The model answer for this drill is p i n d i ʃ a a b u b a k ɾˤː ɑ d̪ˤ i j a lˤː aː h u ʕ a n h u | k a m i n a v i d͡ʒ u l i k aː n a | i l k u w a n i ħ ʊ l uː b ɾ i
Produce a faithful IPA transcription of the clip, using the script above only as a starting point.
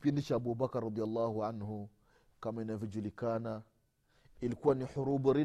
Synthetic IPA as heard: p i n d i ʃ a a b u b a k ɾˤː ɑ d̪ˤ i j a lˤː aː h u ʕ a n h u | k a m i n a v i d͡ʒ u l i k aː n a | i l k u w a n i ħ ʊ ɾ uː b ɾ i